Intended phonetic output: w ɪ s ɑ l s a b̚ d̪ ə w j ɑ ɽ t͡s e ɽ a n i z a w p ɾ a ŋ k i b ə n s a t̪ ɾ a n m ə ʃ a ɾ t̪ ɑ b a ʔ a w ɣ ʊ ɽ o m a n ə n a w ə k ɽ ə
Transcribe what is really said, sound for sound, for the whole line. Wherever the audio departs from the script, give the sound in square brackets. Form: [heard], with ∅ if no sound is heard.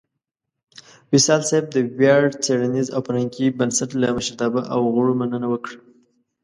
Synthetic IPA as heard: w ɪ s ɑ l s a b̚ d̪ ə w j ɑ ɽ t͡s e ɽ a n i z a w p ɾ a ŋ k i b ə n s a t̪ [l] a [∅] m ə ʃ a ɾ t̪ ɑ b a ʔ a w ɣ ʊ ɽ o m a n ə n a w ə k ɽ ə